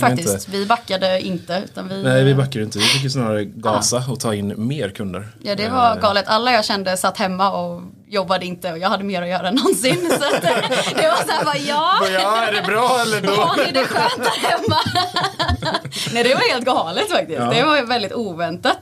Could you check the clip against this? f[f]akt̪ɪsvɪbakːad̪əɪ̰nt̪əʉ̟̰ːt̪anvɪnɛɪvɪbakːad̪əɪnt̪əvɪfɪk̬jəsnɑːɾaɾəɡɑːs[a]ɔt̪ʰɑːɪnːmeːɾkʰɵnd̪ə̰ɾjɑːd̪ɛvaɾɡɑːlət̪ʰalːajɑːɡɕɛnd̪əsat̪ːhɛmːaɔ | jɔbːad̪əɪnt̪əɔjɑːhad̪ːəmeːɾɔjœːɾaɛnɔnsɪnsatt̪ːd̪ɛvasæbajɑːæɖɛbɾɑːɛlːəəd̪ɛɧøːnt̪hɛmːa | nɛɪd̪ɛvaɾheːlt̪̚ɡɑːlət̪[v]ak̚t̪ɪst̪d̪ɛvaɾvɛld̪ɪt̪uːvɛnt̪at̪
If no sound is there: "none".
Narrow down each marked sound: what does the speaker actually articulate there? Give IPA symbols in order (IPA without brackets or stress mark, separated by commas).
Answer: f, a, f